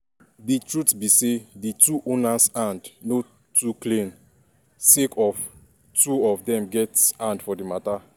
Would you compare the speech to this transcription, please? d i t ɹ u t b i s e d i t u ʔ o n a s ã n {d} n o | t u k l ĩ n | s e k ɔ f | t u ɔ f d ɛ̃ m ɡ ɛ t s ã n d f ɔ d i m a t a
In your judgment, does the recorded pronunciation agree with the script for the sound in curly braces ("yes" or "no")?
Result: yes